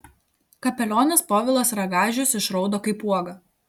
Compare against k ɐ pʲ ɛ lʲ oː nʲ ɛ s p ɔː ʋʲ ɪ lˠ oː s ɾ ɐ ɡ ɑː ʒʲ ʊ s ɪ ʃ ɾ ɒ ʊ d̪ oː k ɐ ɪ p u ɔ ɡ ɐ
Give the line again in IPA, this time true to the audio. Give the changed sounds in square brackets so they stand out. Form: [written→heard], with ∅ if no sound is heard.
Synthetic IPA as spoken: k ɐ pʲ ɛ lʲ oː nʲ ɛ s p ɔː ʋʲ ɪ lˠ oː s ɾ ɐ ɡ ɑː ʒʲ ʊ s ɪ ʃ ɾ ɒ ʊ d̪ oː k ɐ ɪ p u ɔ ɡ ɐ